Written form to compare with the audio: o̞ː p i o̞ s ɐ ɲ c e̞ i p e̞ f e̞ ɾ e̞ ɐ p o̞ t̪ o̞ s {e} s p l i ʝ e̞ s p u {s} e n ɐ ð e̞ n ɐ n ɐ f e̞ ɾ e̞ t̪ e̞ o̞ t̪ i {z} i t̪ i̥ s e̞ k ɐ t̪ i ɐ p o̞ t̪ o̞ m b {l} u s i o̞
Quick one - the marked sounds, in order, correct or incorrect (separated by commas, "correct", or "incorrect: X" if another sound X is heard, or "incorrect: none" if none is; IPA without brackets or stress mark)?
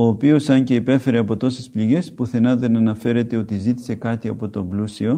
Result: correct, incorrect: θ, correct, correct